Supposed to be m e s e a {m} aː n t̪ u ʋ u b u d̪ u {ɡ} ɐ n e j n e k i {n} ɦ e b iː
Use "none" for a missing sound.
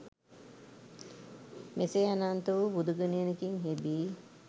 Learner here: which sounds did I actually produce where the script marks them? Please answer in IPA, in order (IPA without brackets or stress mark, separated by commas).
n, ɡ, ŋ